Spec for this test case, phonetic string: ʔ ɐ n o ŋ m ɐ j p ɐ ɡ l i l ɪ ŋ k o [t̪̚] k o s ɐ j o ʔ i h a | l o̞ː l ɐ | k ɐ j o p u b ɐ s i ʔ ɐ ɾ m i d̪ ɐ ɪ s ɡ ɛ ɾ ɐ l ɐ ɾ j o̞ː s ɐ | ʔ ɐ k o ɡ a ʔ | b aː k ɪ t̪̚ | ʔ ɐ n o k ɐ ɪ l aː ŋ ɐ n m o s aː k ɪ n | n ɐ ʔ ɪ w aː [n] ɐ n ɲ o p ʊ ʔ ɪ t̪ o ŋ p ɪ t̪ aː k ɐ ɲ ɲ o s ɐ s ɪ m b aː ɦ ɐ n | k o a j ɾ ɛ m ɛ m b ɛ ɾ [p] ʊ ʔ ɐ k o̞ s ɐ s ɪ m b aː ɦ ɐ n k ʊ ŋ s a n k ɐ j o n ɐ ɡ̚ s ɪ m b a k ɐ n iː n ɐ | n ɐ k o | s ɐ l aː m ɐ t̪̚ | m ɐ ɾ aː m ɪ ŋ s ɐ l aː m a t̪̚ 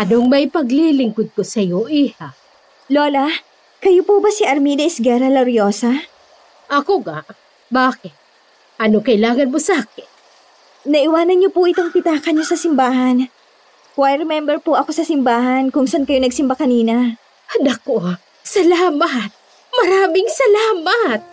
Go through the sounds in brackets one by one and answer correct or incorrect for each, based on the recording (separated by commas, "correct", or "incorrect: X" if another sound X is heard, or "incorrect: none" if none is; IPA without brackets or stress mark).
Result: incorrect: d̪̚, correct, correct